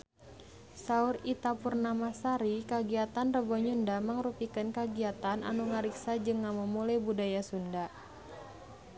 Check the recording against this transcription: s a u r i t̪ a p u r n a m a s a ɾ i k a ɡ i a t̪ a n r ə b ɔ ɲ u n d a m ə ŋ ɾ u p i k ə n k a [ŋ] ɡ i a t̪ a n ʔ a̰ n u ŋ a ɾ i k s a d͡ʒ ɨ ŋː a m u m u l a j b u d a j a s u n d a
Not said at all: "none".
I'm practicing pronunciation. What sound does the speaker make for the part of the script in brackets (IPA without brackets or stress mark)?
none